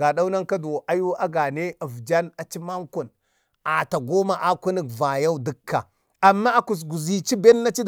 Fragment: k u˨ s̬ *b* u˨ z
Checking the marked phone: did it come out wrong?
yes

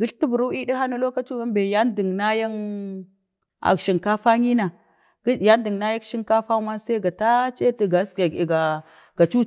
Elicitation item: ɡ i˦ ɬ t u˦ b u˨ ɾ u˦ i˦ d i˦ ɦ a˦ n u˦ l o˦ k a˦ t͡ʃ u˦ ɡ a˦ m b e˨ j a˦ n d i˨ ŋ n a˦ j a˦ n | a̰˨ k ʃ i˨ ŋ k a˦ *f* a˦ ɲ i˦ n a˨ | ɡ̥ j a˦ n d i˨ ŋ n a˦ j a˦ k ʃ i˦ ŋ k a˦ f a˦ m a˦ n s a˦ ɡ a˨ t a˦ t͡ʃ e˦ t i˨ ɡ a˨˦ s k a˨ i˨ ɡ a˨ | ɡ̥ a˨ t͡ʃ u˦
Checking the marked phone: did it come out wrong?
no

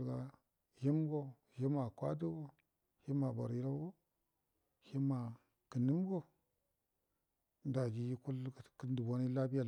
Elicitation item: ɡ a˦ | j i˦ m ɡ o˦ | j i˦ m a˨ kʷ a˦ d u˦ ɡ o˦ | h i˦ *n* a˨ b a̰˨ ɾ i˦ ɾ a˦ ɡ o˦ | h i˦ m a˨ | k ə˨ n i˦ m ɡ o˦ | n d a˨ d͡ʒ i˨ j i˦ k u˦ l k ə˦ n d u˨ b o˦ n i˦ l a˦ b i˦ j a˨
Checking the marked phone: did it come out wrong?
yes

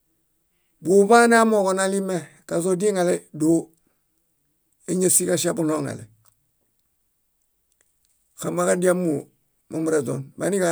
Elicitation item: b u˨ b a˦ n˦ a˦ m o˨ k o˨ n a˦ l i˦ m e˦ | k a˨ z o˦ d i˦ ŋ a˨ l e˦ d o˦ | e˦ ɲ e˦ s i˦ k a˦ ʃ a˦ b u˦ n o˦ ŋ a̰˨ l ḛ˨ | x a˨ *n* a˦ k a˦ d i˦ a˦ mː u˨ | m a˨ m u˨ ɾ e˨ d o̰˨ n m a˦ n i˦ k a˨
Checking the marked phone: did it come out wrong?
yes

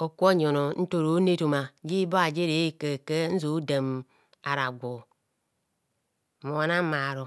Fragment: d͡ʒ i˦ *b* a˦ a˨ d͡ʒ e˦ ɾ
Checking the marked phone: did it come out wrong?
no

